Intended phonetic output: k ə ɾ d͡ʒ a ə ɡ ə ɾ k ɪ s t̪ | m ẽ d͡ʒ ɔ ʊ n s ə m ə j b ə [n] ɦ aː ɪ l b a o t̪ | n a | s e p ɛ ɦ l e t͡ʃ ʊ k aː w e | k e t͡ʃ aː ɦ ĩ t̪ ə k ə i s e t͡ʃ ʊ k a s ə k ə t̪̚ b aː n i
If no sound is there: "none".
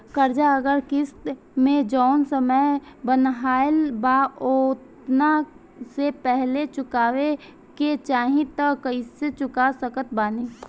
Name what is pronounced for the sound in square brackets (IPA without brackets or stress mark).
n